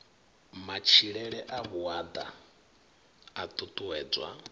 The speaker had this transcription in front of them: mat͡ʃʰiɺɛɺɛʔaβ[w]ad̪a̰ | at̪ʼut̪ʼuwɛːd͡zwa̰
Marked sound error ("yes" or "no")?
yes